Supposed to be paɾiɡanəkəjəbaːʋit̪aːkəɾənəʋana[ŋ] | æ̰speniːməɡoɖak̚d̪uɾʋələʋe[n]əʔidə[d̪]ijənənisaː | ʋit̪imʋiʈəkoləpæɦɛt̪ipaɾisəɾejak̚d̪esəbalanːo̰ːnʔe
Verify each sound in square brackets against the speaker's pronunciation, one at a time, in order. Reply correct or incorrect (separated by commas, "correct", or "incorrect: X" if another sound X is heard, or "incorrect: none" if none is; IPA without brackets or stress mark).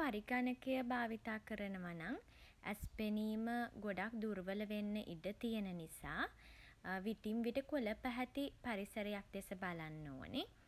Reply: correct, incorrect: nː, incorrect: t̪